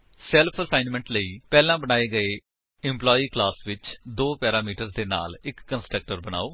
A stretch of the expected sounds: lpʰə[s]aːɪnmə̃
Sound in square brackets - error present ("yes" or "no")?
no